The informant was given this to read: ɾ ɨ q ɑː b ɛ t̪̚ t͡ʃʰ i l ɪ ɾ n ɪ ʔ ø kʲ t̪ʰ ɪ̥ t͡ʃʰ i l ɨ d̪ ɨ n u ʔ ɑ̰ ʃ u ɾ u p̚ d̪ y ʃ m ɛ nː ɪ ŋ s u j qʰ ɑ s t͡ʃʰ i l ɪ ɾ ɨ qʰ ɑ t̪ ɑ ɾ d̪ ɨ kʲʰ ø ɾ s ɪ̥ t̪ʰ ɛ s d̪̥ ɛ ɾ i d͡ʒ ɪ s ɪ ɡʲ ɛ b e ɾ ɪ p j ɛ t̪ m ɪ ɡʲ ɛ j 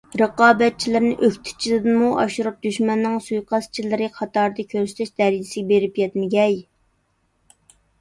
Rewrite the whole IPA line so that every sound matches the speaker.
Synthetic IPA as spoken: ɾ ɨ q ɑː b ɛ t̪̚ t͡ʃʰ i l ɪ ɾ n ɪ ʔ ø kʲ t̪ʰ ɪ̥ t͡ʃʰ i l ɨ d̪ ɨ m u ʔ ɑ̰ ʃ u ɾ u p̚ d̪ y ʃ m ɛ nː ɪ ŋ s u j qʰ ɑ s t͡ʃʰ i l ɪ ɾ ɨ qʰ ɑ t̪ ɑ ɾ d̪ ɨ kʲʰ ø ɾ s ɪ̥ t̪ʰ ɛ ʃ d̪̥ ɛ ɾ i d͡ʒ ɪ s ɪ ɡʲ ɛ b e ɾ ɪ p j ɛ t̪ m ɪ ɡʲ ɛ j